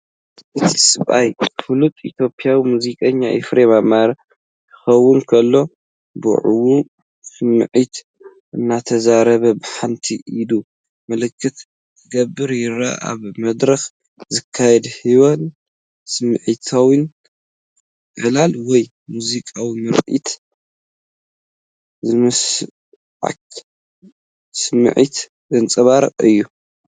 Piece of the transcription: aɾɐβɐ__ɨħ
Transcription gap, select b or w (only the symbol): b